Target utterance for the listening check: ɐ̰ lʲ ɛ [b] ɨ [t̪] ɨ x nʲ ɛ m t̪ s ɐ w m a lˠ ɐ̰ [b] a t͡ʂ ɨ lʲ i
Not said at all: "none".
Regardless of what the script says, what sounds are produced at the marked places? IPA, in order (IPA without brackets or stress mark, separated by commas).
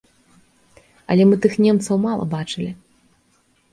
m, t̪, b